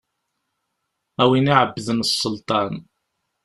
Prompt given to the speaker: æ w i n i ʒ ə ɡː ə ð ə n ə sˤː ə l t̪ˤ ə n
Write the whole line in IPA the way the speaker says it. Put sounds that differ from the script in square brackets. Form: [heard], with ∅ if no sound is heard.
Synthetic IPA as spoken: æ w i n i [ʕ] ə [bː] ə ð ə n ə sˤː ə l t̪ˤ [ɑ] n